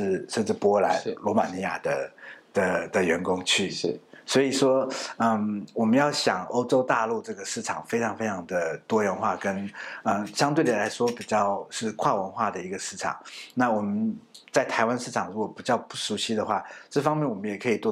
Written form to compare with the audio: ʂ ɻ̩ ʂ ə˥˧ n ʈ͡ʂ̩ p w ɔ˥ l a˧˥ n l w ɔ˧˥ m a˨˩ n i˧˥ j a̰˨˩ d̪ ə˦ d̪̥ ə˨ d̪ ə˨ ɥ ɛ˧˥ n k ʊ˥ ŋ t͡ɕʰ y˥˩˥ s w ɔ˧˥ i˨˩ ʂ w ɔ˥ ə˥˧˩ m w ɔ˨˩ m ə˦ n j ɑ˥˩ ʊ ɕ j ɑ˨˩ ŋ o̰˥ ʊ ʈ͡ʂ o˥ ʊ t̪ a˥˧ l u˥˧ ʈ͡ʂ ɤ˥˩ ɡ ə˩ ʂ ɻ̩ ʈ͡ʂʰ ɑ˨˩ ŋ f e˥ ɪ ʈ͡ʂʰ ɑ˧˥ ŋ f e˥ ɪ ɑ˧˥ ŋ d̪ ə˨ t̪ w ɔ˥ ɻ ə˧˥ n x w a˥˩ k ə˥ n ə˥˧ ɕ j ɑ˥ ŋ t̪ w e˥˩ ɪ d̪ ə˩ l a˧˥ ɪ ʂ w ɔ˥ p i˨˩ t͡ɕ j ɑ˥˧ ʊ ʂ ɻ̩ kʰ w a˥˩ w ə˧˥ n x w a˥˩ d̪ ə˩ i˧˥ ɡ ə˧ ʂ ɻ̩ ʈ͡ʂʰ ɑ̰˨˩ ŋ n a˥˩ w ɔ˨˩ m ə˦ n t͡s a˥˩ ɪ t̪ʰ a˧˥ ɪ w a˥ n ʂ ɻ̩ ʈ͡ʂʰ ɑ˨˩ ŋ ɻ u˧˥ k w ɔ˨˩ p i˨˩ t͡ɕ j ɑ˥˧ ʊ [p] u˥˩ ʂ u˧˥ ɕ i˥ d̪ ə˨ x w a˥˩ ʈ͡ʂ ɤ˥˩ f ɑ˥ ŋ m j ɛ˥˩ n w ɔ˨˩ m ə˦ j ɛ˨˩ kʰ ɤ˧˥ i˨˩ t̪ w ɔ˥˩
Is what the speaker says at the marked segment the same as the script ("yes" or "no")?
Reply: yes